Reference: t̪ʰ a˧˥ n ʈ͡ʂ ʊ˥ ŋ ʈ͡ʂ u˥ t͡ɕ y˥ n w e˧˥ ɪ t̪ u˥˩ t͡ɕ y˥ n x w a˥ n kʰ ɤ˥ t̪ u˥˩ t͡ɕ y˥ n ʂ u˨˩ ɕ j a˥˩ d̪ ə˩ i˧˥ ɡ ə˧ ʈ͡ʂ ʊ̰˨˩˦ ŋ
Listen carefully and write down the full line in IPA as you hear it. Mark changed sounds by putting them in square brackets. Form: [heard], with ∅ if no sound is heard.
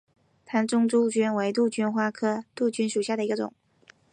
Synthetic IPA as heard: t̪ʰ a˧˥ n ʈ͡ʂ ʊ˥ ŋ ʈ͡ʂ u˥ t͡ɕ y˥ n w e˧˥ ɪ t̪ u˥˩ t͡ɕ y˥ n x w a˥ [∅] kʰ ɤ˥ t̪ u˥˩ t͡ɕ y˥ n ʂ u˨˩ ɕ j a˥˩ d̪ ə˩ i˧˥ ɡ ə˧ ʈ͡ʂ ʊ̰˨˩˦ ŋ